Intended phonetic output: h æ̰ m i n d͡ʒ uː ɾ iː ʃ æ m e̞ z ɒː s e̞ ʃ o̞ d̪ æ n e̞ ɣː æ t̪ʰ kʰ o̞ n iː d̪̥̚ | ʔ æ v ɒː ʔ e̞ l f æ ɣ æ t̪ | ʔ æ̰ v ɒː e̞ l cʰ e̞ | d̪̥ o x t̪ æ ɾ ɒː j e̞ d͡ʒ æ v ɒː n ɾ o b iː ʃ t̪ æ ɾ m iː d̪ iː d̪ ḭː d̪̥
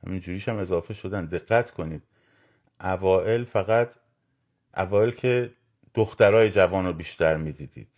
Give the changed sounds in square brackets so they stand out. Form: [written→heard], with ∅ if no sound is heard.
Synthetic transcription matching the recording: h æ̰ m i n d͡ʒ uː ɾ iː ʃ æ m e̞ z ɒː [s→f] e̞ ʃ o̞ d̪ æ n e̞ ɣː æ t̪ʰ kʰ o̞ n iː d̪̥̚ | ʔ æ v ɒː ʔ e̞ l f æ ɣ æ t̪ | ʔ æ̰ v ɒː e̞ l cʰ e̞ | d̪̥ o x t̪ æ ɾ ɒː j e̞ d͡ʒ æ v ɒː n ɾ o b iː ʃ t̪ æ ɾ m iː d̪ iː d̪ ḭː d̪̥